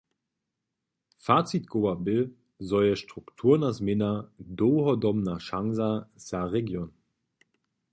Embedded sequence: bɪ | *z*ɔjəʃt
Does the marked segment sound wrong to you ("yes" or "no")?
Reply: no